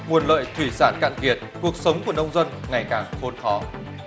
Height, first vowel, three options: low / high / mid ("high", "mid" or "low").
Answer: high